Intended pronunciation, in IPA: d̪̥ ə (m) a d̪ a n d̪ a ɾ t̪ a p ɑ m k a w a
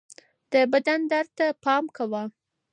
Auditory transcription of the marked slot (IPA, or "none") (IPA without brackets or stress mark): b